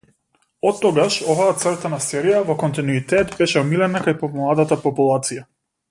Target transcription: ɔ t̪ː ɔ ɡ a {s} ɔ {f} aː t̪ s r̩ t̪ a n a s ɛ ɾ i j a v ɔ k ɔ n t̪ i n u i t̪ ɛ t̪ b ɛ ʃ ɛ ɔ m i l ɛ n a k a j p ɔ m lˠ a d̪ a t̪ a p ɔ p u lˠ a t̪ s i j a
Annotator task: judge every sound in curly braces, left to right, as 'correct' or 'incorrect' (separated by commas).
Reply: incorrect, incorrect